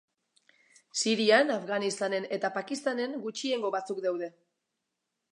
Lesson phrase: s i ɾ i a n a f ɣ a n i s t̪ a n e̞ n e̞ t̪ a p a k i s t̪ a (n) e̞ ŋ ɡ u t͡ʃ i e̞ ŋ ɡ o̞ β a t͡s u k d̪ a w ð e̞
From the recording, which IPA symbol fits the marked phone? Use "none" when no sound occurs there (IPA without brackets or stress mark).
n